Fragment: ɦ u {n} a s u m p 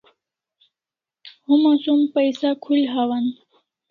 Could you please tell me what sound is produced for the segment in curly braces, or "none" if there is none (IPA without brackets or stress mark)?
m